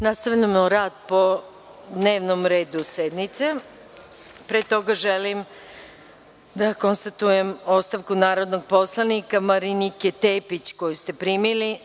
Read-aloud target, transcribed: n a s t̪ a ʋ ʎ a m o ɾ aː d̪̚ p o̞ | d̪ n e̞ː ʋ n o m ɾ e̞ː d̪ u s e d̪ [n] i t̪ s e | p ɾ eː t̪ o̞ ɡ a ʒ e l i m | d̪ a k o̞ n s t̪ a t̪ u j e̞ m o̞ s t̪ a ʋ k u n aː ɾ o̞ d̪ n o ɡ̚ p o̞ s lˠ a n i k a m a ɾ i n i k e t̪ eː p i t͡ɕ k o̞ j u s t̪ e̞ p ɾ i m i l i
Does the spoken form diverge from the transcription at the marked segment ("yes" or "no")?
no